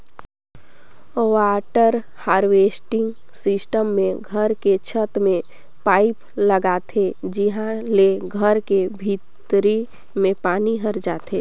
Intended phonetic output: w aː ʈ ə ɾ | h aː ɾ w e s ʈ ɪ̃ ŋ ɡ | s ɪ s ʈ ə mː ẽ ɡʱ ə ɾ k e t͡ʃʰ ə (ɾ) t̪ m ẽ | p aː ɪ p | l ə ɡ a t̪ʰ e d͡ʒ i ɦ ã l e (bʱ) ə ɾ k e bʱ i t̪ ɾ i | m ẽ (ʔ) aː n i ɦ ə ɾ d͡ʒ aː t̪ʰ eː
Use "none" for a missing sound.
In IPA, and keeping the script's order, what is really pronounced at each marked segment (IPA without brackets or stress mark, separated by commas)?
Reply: none, ɡʱ, p